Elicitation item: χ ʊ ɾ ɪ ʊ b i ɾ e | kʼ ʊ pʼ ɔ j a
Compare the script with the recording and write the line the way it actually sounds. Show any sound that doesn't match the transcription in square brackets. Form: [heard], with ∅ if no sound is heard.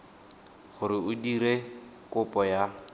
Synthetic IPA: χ ʊ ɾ ɪ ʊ [d] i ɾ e | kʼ ʊ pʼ ɔ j a

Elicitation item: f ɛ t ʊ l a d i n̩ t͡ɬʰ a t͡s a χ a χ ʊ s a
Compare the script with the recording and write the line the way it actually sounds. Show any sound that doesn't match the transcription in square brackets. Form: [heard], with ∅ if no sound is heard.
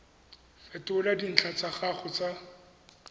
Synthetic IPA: f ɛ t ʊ l a d i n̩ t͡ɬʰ a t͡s a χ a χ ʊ [t͡s] a

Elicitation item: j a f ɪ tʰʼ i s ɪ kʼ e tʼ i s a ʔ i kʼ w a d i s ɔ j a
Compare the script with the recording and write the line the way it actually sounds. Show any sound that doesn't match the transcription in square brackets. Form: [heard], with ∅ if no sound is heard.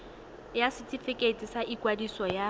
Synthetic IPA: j a [s] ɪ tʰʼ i [f] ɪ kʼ e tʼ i s a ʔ i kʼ w a d i s ɔ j a

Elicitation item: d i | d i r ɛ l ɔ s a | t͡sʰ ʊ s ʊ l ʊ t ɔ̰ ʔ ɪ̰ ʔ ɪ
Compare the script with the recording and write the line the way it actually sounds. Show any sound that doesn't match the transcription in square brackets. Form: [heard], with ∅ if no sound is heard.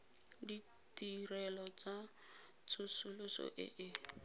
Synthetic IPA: d i | [t] i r ɛ l ɔ [t͡s] a | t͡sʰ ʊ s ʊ l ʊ [s] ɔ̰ ʔ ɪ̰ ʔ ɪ

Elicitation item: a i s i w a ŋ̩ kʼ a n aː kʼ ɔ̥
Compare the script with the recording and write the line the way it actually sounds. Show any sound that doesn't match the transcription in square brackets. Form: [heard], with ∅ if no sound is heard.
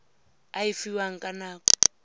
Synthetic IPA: a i [f] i w a ŋ̩ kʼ a n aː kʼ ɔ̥

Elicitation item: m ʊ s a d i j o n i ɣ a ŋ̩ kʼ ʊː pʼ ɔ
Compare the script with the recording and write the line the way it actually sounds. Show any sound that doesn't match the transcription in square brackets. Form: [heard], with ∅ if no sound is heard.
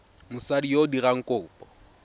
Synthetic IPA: m ʊ s a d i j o [d] i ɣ a ŋ̩ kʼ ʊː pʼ ɔ

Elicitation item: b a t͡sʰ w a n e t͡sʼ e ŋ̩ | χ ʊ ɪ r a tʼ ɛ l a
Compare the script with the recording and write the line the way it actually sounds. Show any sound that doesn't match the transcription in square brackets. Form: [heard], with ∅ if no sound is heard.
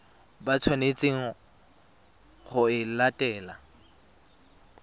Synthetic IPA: b a t͡sʰ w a n e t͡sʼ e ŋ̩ | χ ʊ ɪ [l] a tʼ [ɛː] l a

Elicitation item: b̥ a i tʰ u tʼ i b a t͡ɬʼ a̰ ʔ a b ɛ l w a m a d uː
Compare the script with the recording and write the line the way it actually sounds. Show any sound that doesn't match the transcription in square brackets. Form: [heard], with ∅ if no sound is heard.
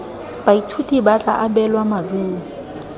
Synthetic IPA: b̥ a i tʰ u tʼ i b a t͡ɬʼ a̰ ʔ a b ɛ l w a m a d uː

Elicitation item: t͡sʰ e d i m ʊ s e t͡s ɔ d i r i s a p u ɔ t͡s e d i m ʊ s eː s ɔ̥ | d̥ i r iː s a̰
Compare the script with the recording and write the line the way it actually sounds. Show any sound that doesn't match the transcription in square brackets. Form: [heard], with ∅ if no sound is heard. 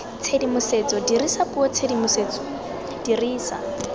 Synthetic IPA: t͡sʰ e d i m ʊ s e t͡s ɔ d i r i s a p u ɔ [t͡sʰ] e d i m ʊ s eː [t͡s] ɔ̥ | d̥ i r iː s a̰

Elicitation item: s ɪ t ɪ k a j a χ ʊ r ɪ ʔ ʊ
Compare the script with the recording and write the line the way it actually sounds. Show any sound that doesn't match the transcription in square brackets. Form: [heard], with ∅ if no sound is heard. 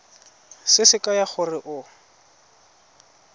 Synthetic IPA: s ɪ [s] ɪ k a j a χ ʊ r ɪ ʔ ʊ

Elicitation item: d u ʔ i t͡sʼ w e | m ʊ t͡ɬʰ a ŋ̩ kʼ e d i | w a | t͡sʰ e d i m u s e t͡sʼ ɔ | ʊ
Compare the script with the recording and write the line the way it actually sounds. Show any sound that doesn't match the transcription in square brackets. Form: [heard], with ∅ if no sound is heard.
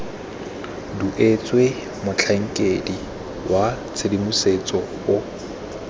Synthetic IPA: d u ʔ [e] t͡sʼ w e | m ʊ t͡ɬʰ a ŋ̩ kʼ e d i | w a | t͡sʰ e d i m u s e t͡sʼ ɔ | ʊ

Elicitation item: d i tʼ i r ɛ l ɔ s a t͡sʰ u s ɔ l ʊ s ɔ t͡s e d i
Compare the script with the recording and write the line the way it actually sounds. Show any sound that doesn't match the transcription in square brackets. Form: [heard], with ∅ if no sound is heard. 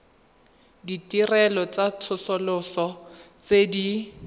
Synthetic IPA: d i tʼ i r ɛ l ɔ [t͡s] a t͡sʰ [ʊ] s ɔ l ʊ s ɔ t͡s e d i

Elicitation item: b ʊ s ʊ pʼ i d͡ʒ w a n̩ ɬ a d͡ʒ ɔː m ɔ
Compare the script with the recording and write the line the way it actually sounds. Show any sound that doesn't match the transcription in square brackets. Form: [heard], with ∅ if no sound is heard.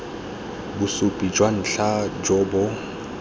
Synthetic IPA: b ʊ s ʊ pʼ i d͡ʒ w a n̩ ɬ a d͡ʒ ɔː [b] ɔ

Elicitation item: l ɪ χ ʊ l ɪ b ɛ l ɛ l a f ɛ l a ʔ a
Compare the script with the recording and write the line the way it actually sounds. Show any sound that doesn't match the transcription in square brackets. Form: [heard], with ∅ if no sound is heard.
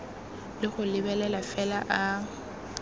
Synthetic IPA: l ɪ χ ʊ l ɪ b ɛ l ɛ l a f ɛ l a ʔ a

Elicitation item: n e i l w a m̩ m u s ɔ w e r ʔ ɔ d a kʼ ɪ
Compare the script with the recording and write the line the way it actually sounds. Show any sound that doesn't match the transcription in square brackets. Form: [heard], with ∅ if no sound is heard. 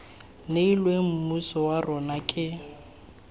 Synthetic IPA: n e i l w [e] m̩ m u s ɔ w [a] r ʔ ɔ [n] a kʼ ɪ

